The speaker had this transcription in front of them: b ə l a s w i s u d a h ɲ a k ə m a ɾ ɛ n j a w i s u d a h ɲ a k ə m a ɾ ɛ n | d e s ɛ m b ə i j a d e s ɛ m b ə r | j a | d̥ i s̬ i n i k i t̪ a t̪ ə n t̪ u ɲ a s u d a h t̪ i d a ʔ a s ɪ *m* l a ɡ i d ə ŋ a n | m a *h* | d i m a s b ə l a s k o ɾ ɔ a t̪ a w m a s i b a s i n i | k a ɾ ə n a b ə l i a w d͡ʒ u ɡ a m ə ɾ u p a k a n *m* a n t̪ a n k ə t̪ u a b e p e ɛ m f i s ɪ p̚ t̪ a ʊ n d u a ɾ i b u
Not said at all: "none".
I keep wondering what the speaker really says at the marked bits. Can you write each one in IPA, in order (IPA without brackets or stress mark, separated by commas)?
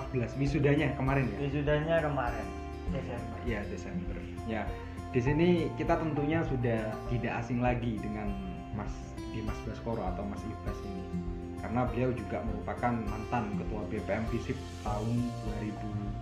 ŋ, s, m